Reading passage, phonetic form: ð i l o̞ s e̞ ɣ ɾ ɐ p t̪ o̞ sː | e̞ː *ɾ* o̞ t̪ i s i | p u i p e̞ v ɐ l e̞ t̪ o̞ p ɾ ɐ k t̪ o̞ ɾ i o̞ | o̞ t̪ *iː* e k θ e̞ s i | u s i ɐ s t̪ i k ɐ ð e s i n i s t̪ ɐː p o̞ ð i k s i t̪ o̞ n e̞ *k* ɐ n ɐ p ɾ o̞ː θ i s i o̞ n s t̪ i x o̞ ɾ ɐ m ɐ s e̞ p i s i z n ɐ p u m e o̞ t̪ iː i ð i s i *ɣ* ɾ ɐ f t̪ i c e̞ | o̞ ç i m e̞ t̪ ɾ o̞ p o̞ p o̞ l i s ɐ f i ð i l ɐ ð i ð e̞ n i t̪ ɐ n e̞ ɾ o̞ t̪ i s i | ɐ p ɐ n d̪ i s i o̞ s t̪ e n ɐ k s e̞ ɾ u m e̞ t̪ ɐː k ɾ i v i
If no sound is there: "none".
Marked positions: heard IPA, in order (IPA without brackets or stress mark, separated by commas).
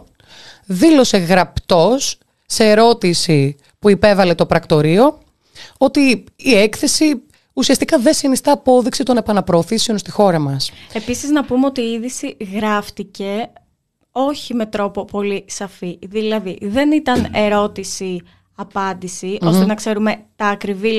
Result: ɾ, iː, p, ɣ